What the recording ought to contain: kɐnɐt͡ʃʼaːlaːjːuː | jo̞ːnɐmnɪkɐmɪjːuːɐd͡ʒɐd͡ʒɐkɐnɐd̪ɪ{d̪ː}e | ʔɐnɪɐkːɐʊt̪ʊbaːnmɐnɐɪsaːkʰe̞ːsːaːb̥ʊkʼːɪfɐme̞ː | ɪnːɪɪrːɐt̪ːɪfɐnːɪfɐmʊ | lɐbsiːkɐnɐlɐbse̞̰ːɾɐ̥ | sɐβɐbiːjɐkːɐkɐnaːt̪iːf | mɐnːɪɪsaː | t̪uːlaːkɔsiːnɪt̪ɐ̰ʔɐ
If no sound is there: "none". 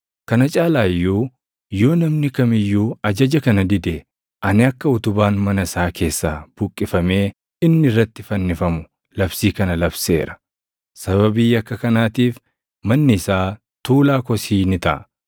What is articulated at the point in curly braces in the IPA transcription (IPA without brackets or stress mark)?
d̪